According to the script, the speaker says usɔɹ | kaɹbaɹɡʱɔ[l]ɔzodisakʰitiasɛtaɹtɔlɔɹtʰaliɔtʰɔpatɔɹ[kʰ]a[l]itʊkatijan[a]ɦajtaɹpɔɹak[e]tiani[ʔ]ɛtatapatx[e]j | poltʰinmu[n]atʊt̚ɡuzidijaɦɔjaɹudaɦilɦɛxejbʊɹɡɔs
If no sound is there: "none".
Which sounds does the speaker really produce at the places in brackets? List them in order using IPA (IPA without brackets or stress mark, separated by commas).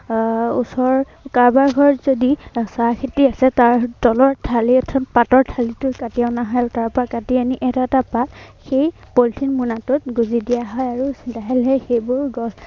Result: ɹ, tʰ, l, a, a, ʔ, e, n